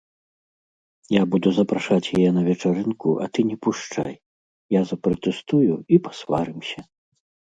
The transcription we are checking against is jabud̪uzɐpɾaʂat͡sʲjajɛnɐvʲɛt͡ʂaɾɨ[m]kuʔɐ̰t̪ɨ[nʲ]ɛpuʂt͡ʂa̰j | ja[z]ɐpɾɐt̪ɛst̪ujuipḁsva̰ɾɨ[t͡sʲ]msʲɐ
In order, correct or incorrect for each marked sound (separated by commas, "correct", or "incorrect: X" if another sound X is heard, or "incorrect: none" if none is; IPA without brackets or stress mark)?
incorrect: n, correct, correct, incorrect: none